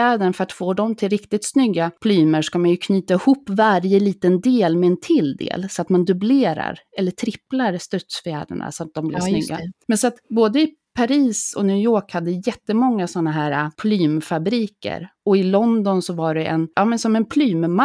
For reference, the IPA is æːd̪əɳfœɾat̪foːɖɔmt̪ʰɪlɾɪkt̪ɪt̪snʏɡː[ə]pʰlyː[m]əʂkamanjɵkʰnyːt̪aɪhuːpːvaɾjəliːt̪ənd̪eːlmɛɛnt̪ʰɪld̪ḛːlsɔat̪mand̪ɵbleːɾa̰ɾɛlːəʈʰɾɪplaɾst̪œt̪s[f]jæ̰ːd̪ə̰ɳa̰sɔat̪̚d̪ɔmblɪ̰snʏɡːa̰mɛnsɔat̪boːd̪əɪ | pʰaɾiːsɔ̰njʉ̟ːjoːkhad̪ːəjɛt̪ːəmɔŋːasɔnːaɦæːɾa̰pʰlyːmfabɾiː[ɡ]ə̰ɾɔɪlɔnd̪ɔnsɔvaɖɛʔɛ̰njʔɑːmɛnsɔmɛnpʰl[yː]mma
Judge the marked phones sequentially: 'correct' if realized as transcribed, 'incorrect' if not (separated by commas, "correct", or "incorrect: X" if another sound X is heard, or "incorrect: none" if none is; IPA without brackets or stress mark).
incorrect: a, correct, correct, incorrect: k, correct